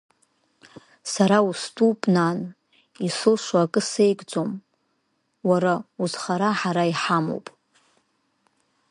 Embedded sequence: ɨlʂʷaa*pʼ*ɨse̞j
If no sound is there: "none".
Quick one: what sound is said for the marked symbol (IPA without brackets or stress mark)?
kʼ